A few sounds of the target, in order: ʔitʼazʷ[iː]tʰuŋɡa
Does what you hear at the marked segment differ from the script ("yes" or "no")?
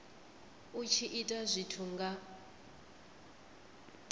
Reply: yes